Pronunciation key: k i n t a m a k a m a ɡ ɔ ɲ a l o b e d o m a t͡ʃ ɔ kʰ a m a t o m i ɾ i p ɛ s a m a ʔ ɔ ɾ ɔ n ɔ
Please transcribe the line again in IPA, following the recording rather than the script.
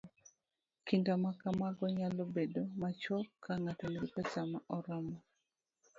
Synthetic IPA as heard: k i n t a m a k a m a ɡ ɔ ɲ a l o b e d o m a t͡ʃ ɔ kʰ a ŋ a t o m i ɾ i p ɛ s a m a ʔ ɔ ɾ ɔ m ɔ